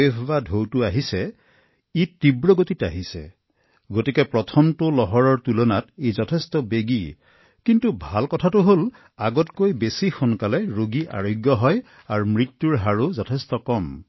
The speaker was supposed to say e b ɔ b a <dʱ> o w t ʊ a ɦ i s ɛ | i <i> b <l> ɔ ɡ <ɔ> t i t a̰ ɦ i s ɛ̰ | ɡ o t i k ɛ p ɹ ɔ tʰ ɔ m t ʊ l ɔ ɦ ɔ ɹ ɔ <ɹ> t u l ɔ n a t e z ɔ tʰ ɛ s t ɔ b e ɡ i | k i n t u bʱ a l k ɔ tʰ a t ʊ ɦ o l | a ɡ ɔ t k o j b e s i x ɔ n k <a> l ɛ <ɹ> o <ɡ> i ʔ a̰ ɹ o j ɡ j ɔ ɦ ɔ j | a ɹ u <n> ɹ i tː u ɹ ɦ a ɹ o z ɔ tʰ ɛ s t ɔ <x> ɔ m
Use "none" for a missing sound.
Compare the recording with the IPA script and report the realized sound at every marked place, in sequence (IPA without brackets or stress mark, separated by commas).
dʱ, i, ɹ, o, ɹ, a, ɹ, ɡ, m, k